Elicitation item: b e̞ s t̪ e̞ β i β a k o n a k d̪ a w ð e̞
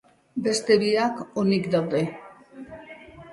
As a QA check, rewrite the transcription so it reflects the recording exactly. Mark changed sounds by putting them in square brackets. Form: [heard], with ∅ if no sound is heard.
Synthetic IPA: b e̞ s t̪ e̞ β i [∅] a k o n [i] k d̪ a w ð e̞

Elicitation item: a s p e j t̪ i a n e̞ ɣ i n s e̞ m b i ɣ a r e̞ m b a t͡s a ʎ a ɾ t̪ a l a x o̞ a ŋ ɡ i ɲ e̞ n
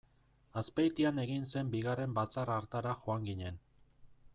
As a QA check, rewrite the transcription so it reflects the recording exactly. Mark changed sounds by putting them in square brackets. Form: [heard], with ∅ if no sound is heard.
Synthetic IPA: a s p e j t̪ i a n e̞ ɣ i n s e̞ m b i ɣ a r e̞ m b a t͡s a [r] a ɾ t̪ a [ɾ] a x o̞ a ŋ ɡ i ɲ e̞ n

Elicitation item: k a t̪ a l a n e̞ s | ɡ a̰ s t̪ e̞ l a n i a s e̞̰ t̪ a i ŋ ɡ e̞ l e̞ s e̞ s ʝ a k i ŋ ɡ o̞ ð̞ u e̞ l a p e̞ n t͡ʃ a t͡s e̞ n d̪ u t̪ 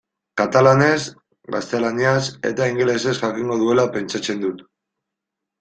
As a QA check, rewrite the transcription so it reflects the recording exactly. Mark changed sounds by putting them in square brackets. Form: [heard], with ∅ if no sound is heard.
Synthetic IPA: k a t̪ a l a n e̞ s | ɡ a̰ s t̪ e̞ l a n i a s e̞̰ t̪ a i ŋ ɡ e̞ l e̞ s e̞ s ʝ a k i ŋ ɡ o̞ ð̞ u e̞ l a p e̞ n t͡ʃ a t͡s e̞ n d̪ u t̪

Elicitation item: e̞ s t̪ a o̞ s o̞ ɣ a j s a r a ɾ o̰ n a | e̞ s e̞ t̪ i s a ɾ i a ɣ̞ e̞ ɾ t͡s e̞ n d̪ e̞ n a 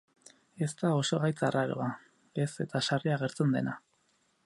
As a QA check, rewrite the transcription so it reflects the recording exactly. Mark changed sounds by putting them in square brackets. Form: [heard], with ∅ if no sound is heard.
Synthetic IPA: e̞ s t̪ a o̞ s o̞ ɣ a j [t͡s] a r a ɾ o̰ [∅] a | e̞ s e̞ t̪ [a] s a [r] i a ɣ̞ e̞ ɾ t͡s e̞ n d̪ e̞ n a

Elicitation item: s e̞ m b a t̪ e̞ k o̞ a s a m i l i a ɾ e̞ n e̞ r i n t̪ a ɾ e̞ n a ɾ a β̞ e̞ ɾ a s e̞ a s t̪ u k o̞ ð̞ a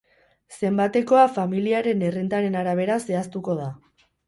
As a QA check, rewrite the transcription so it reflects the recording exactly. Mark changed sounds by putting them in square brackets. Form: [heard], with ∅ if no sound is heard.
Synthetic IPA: s e̞ m b a t̪ e̞ k o̞ a [f] a m i l i a ɾ e̞ n e̞ r i n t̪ a ɾ e̞ n a ɾ a β̞ e̞ ɾ a s e̞ a s t̪ u k o̞ ð̞ a

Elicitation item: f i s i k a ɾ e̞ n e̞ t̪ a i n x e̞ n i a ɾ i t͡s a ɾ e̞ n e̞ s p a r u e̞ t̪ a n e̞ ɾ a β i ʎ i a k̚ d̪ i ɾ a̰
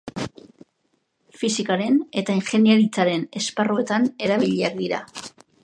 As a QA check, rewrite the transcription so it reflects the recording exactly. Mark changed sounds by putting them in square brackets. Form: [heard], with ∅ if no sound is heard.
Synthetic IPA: f i s i k a ɾ e̞ n e̞ t̪ a i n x e̞ n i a ɾ i t͡s a ɾ e̞ n e̞ s p a r u e̞ t̪ a n e̞ ɾ a β i ʎ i a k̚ d̪ i ɾ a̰

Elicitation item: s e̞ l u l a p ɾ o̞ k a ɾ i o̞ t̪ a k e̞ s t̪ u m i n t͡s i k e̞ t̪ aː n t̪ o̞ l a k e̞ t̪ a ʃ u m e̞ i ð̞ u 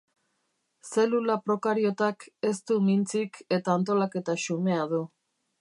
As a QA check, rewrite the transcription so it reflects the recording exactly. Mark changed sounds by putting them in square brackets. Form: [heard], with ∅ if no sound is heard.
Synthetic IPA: s e̞ l u l a p ɾ o̞ k a ɾ i o̞ t̪ a k e̞ s t̪ u m i n t͡s i k e̞ t̪ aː n t̪ o̞ l a k e̞ t̪ a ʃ u m e̞ [a] ð̞ u

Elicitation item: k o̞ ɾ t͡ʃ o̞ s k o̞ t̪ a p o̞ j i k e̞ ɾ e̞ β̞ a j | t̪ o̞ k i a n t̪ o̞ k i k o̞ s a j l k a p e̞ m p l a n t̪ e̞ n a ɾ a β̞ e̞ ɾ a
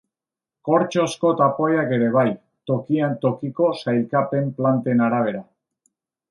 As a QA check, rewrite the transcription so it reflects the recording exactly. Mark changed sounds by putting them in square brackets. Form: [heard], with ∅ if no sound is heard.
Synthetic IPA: k o̞ ɾ t͡ʃ o̞ s k o̞ t̪ a p o̞ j [a] k e̞ ɾ e̞ β̞ a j | t̪ o̞ k i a n t̪ o̞ k i k o̞ s a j l k a p e̞ m p l a n t̪ e̞ n a ɾ a β̞ e̞ ɾ a

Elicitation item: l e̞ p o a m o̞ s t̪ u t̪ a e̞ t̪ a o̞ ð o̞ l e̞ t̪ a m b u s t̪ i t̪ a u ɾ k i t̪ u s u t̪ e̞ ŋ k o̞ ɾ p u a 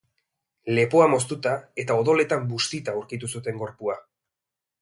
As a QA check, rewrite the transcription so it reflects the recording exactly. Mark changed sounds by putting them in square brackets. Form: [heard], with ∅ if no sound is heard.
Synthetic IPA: l e̞ p o a m o̞ s t̪ u t̪ a e̞ t̪ a o̞ ð o̞ l e̞ t̪ a m b u s t̪ i t̪ a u ɾ k i t̪ u s u t̪ e̞ ŋ [ɡ] o̞ ɾ p u a

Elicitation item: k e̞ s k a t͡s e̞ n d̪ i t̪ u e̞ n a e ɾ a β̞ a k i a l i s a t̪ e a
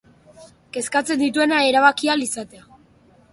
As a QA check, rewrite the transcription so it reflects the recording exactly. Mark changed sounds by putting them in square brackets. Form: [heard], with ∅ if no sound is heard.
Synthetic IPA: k e̞ s k a t͡s e̞ n d̪ i t̪ u e̞ n a e ɾ a β̞ a k i a l i s a t̪ e a

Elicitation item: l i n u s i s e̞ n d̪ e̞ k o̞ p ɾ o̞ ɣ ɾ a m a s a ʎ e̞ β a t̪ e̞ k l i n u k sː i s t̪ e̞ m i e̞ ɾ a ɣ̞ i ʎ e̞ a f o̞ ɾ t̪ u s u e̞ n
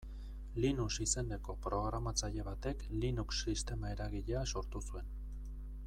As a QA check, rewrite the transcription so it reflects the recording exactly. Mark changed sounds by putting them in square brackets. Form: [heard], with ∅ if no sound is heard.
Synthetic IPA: l i n u s i s e̞ n d̪ e̞ k o̞ p ɾ o̞ ɣ ɾ a m a [t͡s] a ʎ e̞ β a t̪ e̞ k l i n u k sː i s t̪ e̞ m [a] e̞ ɾ a ɣ̞ i ʎ e̞ a [s] o̞ ɾ t̪ u s u e̞ n

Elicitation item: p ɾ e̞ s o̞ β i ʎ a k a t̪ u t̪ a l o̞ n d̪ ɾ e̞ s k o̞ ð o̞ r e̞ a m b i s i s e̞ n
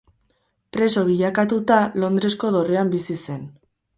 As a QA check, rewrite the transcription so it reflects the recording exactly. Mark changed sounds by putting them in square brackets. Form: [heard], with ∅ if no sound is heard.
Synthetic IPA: p ɾ e̞ s o̞ β i ʎ a k a t̪ u t̪ a l o̞ n d̪ ɾ e̞ s k o̞ ð o̞ r e̞ a m b i s i s e̞ n

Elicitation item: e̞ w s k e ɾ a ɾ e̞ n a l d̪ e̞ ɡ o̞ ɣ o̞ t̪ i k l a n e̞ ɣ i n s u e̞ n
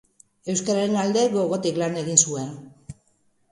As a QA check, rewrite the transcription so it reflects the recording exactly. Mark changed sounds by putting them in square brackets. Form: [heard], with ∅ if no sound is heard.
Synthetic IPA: e̞ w s k [a] ɾ a ɾ e̞ n a l d̪ e̞ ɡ o̞ ɣ o̞ t̪ i k l a n e̞ ɣ i n s u e̞ n

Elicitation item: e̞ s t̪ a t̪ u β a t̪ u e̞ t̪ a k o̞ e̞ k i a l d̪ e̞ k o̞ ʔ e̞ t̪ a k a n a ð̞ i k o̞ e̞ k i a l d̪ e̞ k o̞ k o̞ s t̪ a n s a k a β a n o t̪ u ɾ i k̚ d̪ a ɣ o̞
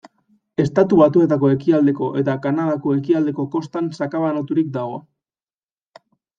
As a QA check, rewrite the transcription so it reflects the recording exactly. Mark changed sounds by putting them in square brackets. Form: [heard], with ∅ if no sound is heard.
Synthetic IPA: e̞ s t̪ a t̪ u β a t̪ u e̞ t̪ a k o̞ e̞ k i a l d̪ e̞ k o̞ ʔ e̞ t̪ a k a n a ð̞ [a] k o̞ e̞ k i a l d̪ e̞ k o̞ k o̞ s t̪ a n s a k a β a n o t̪ u ɾ i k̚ d̪ a ɣ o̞

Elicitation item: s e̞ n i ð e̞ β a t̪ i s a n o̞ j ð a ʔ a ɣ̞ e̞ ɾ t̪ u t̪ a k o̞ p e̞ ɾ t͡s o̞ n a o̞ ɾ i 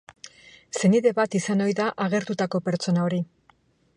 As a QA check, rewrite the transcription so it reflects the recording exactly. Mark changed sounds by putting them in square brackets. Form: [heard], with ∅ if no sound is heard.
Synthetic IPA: s e̞ n i ð e̞ β a t̪ i s a n o̞ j ð a ʔ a ɣ̞ e̞ ɾ t̪ u t̪ a k o̞ p e̞ ɾ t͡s o̞ n a o̞ ɾ i

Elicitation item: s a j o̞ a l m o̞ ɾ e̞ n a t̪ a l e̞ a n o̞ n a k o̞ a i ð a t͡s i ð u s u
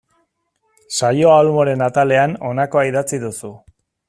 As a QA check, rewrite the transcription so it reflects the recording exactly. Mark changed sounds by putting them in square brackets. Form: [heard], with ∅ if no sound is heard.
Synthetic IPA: s a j o̞ a l m o̞ ɾ e̞ n a t̪ a l e̞ a n o̞ n a k o̞ a i ð a t͡s i ð u s u

